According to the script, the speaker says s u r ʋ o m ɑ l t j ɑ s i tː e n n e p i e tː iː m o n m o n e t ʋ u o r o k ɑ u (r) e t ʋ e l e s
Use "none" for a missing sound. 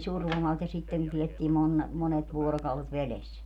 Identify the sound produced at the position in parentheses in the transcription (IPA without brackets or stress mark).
l